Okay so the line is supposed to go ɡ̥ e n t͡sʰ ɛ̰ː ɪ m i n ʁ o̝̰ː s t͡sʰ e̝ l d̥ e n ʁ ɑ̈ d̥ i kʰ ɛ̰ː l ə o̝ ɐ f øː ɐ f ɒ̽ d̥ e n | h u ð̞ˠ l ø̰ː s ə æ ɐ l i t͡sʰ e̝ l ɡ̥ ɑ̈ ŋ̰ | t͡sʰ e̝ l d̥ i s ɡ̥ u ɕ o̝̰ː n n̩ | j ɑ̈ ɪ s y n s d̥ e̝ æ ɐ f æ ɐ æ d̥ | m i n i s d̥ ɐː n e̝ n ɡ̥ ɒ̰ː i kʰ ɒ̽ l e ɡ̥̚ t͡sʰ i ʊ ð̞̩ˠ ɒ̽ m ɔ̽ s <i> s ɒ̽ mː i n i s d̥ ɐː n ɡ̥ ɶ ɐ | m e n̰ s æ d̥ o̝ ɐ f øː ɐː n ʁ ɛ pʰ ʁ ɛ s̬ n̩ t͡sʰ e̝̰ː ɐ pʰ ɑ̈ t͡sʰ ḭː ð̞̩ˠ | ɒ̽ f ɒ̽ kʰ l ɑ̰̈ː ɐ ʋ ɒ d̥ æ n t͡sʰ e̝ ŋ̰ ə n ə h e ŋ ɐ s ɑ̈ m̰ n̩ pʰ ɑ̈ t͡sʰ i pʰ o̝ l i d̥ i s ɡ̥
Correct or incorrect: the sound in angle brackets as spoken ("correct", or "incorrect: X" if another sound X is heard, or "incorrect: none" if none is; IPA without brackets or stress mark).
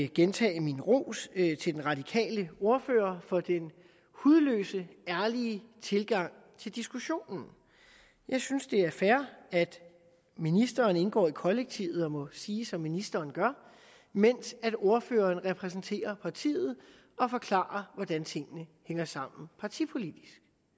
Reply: incorrect: iː